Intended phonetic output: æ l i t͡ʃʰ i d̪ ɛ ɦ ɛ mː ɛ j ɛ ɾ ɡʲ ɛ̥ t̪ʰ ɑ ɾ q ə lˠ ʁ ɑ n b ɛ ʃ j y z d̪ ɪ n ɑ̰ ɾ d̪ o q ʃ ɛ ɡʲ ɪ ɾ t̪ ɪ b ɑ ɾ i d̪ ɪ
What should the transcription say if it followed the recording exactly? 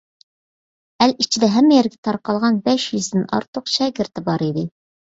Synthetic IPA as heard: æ l i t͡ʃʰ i d̪ ɛ ɦ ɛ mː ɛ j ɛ ɾ ɡʲ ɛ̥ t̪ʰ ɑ ɾ q ɑ lˠ ʁ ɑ n b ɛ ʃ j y z d̪ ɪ n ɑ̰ ɾ t̪ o q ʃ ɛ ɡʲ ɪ ɾ t̪ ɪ b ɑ ɾ i d̪ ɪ